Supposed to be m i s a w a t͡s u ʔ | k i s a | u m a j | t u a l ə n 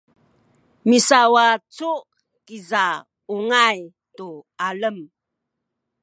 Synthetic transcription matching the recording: m i s a w a t͡s u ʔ | k i z a | u ŋ a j | t u a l ə m